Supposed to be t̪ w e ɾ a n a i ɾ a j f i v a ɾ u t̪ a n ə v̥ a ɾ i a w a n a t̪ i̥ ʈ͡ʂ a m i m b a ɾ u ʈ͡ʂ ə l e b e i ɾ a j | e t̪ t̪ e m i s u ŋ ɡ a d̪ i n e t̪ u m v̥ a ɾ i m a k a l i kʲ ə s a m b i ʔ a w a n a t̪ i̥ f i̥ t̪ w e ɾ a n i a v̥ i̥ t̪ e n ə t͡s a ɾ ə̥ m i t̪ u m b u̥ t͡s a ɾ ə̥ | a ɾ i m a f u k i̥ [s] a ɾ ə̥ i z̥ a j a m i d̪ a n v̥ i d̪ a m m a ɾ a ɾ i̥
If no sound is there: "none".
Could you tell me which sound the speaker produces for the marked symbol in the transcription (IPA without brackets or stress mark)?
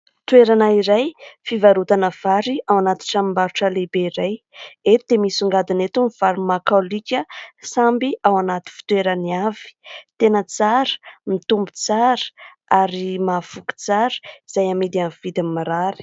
t͡s